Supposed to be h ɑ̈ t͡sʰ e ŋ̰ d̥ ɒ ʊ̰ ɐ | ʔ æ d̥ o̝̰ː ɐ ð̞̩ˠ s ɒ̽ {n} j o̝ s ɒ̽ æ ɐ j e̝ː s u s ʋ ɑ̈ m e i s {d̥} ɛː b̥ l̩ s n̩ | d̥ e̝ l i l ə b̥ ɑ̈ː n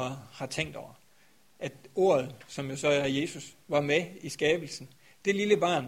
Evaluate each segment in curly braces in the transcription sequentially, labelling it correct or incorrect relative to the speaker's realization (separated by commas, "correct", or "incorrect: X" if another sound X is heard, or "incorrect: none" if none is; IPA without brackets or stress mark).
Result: incorrect: m, incorrect: ɡ̥